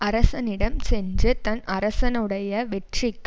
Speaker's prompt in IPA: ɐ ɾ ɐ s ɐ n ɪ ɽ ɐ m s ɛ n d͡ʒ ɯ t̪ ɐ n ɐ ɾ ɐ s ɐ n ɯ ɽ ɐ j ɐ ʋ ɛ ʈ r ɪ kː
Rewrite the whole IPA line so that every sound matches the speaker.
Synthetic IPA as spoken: ɐ ɾ ɐ s ɐ n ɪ ɽ ɐ m s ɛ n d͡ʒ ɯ t̪ ɐ n ɐ ɾ ɐ s ɐ n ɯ ɽ ɐ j ɐ ʋ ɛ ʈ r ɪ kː